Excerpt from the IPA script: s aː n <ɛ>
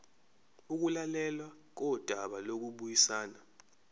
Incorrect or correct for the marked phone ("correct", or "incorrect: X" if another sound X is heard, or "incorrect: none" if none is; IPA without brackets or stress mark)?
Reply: incorrect: a